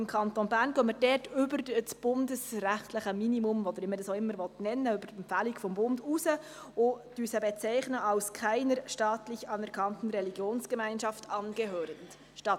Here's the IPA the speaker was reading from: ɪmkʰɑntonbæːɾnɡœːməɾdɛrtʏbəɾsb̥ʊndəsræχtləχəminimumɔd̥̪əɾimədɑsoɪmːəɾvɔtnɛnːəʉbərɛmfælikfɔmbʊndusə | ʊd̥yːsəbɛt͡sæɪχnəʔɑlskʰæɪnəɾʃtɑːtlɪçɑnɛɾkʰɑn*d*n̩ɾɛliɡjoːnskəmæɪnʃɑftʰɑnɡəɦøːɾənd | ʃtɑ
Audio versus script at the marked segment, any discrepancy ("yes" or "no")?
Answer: yes